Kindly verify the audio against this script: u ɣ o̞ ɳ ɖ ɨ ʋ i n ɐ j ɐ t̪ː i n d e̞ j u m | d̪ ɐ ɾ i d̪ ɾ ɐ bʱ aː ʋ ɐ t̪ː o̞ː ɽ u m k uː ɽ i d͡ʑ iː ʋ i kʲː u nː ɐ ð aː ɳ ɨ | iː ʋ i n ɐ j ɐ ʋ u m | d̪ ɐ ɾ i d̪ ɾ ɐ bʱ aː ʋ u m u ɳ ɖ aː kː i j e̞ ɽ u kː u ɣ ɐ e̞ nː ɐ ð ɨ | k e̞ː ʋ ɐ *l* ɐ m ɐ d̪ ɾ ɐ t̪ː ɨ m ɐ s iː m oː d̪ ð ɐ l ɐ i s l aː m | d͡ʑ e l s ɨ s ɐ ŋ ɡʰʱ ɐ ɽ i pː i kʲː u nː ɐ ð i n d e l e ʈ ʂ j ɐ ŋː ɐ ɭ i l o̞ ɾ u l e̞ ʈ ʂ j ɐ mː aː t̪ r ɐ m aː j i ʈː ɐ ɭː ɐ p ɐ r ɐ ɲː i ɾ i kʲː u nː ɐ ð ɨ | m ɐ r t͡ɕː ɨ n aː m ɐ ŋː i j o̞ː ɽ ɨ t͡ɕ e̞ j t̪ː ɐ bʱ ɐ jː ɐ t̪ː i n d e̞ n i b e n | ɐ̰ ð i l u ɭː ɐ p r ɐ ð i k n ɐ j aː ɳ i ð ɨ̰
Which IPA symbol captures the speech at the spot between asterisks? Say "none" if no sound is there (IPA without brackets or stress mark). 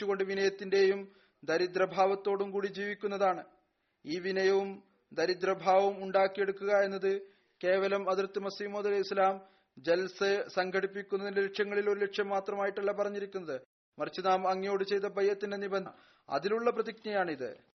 l